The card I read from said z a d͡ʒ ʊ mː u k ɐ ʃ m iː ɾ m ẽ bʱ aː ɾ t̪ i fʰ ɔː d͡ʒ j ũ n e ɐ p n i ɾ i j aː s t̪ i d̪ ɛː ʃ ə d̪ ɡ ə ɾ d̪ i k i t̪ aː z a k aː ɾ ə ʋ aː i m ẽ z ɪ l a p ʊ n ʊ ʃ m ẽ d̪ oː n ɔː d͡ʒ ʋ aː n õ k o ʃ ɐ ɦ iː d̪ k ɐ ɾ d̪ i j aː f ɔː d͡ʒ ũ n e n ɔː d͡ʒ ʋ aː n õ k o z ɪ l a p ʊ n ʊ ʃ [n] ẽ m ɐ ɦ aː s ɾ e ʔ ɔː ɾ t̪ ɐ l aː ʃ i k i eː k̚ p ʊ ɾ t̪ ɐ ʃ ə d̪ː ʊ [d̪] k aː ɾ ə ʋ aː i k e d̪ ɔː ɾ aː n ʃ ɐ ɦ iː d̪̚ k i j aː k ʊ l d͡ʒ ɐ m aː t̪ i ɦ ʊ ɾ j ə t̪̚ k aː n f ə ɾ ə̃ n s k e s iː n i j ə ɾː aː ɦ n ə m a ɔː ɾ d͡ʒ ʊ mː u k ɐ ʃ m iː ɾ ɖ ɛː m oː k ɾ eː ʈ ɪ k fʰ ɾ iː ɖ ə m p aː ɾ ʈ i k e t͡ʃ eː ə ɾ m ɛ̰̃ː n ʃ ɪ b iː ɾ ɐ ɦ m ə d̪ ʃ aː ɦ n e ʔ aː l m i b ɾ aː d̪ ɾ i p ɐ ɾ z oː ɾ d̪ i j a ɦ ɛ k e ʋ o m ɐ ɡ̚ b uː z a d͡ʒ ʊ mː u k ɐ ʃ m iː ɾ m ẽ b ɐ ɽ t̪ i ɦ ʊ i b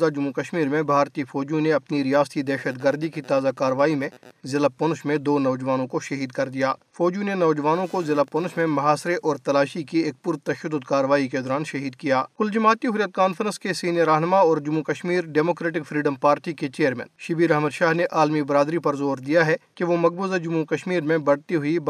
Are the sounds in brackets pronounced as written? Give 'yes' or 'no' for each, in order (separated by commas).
no, yes